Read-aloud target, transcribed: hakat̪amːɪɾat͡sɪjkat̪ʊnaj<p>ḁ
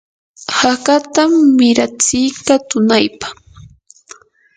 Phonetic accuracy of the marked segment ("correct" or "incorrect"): correct